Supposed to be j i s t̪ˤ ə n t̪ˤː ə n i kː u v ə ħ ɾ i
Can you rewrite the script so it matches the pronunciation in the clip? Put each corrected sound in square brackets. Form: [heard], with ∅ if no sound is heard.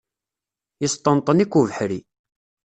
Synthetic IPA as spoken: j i s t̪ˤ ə n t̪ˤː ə n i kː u v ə ħ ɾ i